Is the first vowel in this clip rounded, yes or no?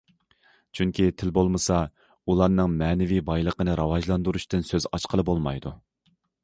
yes